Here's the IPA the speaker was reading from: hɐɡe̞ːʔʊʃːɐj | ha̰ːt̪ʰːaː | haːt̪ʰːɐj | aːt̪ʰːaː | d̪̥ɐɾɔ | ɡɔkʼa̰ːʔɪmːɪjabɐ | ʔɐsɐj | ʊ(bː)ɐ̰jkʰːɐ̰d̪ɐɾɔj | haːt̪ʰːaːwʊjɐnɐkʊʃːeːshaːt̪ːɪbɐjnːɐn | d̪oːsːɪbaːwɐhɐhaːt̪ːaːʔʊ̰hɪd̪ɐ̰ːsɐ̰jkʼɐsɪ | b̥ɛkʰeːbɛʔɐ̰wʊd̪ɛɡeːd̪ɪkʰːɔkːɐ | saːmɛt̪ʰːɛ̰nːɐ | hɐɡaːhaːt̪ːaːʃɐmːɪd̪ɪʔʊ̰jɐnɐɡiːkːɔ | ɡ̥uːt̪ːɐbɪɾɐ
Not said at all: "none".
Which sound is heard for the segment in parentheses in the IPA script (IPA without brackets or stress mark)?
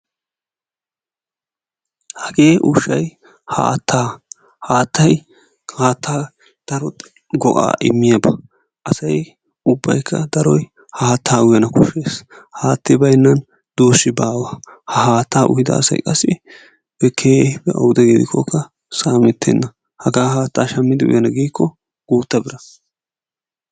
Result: bː